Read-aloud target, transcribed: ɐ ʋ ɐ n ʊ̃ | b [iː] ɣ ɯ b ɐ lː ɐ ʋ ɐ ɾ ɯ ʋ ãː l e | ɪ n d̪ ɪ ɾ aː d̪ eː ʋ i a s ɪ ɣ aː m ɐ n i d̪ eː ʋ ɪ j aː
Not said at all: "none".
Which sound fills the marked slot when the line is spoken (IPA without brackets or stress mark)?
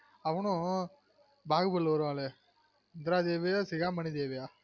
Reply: aː